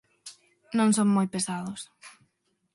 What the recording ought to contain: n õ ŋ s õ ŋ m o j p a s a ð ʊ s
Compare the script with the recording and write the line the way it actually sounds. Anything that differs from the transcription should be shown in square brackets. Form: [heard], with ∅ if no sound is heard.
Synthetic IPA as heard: n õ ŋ s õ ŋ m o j p [e] s a ð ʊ s